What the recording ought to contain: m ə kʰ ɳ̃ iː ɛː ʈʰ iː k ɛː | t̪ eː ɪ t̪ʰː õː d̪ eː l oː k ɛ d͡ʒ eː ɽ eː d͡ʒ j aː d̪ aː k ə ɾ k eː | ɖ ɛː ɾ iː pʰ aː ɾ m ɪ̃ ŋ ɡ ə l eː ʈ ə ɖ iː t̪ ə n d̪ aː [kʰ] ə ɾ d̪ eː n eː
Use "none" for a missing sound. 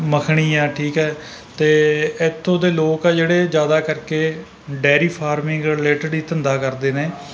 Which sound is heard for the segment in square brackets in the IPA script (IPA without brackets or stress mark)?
k